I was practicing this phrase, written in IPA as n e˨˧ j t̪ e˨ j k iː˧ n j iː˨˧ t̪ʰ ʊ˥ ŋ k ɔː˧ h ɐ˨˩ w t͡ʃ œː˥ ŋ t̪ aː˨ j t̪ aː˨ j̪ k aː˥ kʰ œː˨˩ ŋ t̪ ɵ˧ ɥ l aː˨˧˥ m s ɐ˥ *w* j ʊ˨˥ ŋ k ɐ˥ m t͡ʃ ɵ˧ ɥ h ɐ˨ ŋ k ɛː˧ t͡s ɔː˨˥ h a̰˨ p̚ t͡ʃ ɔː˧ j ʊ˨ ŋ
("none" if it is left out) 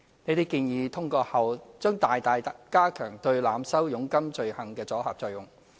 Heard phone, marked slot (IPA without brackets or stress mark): w